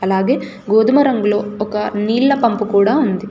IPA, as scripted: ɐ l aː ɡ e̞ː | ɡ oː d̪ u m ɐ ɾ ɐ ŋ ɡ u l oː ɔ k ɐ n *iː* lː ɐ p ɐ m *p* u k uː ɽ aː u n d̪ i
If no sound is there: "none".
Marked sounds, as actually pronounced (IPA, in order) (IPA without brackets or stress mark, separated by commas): iː, p